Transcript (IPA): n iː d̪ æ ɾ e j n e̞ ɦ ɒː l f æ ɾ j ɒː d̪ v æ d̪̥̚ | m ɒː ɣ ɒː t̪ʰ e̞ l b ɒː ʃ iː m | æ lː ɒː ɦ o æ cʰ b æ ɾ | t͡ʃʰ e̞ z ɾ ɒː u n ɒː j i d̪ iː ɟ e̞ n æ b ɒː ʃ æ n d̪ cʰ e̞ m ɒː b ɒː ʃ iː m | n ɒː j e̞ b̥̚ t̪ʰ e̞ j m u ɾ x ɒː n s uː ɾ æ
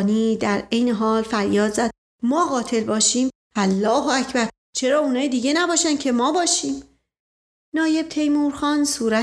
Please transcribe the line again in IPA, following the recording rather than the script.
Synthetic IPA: n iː d̪ æ ɾ e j n e̞ ɦ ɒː l f æ ɾ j ɒː d̪ z æ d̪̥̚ | m ɒː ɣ ɒː t̪ʰ e̞ l b ɒː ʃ iː m | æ lː ɒː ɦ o æ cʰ b æ ɾ | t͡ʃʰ e̞ ɾ ɒː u n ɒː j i d̪ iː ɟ e̞ n æ b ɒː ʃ æ n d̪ cʰ e̞ m ɒː b ɒː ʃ iː m | n ɒː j e̞ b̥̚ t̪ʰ e̞ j m u ɾ x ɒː n s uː ɾ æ